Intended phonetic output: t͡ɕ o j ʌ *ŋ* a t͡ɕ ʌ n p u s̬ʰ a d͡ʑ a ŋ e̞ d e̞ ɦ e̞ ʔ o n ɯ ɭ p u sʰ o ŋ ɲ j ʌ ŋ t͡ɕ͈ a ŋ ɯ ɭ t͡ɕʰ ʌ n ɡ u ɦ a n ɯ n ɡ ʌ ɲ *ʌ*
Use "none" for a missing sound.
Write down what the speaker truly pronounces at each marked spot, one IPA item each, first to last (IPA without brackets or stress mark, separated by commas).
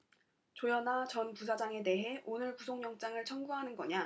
n, a